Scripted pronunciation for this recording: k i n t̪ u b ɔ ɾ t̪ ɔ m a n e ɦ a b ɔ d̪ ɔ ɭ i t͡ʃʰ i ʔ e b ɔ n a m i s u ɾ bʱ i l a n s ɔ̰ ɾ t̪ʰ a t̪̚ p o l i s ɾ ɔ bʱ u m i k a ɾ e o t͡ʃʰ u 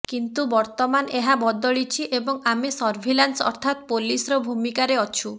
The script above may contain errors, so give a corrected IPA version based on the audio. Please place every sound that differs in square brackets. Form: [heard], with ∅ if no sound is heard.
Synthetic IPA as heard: k i n t̪ u b ɔ ɾ t̪ ɔ m a n e ɦ a b ɔ d̪ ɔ ɭ i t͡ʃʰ i ʔ e b ɔ [ŋ] a m i s [ɔ] ɾ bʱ i l a n s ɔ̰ ɾ t̪ʰ a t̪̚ p o l i s ɾ ɔ bʱ u m i k a ɾ e [ɔ] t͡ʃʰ u

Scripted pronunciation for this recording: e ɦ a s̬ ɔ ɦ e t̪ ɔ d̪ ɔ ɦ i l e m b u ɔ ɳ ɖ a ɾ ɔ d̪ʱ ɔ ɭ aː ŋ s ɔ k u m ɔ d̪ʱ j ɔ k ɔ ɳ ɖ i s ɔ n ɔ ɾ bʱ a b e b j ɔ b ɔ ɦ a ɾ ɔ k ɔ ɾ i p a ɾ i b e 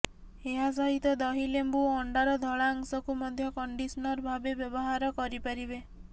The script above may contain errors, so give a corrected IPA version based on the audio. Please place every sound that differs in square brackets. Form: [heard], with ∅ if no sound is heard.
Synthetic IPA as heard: e ɦ a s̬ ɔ ɦ [i] t̪ ɔ d̪ ɔ ɦ i l e m b u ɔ ɳ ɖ a ɾ ɔ d̪ʱ ɔ ɭ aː ŋ s ɔ k u m ɔ d̪ʱ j ɔ k ɔ ɳ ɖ i s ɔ n ɔ ɾ bʱ a b e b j ɔ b ɔ ɦ a ɾ ɔ k ɔ ɾ i p a ɾ i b e

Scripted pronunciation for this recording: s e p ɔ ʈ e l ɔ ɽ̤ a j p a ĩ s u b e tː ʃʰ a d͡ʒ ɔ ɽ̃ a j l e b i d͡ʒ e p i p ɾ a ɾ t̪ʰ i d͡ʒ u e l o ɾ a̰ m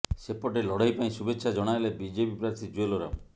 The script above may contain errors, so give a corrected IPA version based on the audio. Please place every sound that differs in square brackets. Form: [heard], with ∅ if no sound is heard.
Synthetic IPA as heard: s e p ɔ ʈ e l ɔ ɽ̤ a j p a ĩ s u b e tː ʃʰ a d͡ʒ ɔ ɽ̃ a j l e b i d͡ʒ e p i p ɾ a ɾ t̪ʰ i d͡ʒ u e l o ɾ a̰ m

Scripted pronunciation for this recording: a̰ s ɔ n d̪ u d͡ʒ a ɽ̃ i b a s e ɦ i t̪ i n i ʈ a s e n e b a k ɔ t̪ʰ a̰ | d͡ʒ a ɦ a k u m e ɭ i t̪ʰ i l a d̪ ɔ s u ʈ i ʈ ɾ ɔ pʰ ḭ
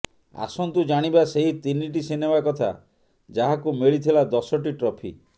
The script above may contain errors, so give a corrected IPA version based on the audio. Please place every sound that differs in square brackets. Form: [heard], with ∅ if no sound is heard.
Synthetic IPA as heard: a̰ s ɔ n [t̪] u d͡ʒ a ɽ̃ i b a s e ɦ i t̪ i n i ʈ [i] s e n e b a k ɔ t̪ʰ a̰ | d͡ʒ a ɦ a k u m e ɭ i t̪ʰ i l a d̪ ɔ s [ɔ] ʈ i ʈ ɾ ɔ pʰ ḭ

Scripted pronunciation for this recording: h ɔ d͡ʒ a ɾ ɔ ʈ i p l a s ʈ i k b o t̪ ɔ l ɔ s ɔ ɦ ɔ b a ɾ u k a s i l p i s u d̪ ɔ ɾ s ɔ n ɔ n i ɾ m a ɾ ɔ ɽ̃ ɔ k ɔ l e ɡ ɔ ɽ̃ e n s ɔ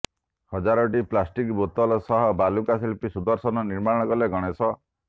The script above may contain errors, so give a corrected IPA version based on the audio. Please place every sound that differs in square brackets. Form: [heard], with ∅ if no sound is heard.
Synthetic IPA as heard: h ɔ d͡ʒ a ɾ ɔ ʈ i p l a s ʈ i k b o t̪ ɔ l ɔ s ɔ ɦ ɔ b a [l] u k a s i l p i s u d̪ ɔ ɾ s ɔ n ɔ n i ɾ m a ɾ ɔ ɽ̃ ɔ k ɔ l e ɡ ɔ ɽ̃ e [∅] s ɔ

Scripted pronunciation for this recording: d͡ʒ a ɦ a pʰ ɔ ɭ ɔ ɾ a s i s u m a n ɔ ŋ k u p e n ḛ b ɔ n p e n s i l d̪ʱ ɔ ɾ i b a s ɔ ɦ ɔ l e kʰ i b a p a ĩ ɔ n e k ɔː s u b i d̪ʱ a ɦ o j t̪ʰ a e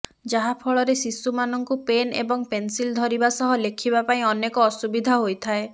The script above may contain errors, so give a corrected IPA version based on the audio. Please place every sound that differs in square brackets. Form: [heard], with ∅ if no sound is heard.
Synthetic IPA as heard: d͡ʒ a ɦ a pʰ ɔ ɭ ɔ ɾ [e] s i s u m a n ɔ ŋ k u p e n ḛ b ɔ [ŋ] p e n s i l d̪ʱ ɔ ɾ i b a s ɔ ɦ ɔ l e kʰ i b a p a ĩ ɔ n e k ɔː s u b i d̪ʱ a ɦ o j t̪ʰ a e

